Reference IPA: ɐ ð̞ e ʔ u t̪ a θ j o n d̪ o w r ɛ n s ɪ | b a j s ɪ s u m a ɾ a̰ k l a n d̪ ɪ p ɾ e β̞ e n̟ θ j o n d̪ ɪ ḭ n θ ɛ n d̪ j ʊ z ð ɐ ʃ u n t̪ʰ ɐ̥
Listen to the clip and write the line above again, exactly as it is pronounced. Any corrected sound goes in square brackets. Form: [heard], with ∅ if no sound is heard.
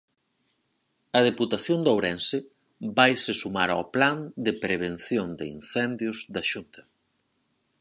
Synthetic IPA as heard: ɐ ð̞ e [p] u t̪ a θ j o n d̪ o w [ɾ] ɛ n s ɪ | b a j s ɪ s u m a ɾ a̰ [p] l a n d̪ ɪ p ɾ e β̞ e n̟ θ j o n d̪ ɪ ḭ n θ ɛ n d̪ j ʊ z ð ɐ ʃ u n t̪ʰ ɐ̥